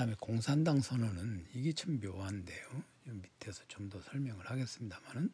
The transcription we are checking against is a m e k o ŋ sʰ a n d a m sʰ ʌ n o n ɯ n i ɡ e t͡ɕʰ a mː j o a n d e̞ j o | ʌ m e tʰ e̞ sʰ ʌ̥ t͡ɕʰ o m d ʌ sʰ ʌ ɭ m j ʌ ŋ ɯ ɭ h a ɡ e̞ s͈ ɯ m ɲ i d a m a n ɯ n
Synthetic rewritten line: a m e k o ŋ sʰ a n d a ŋ sʰ ʌ n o n ɯ n i ɡ e t͡ɕʰ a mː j o a n d e̞ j o | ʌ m i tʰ e̞ sʰ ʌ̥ t͡ɕ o m d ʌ sʰ ʌ ɭ m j ʌ ŋ ɯ ɭ h a ɡ e̞ s͈ ɯ m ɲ i d a m a n ɯ n